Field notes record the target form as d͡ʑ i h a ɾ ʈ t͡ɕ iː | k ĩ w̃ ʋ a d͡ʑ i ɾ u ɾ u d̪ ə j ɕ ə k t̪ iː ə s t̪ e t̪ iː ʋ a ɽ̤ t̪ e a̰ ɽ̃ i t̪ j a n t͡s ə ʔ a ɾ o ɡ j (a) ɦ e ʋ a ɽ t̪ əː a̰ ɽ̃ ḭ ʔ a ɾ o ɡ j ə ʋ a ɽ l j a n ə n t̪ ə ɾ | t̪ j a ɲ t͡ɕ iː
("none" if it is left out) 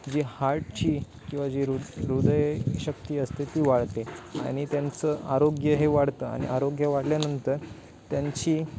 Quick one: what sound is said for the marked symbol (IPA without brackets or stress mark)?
ə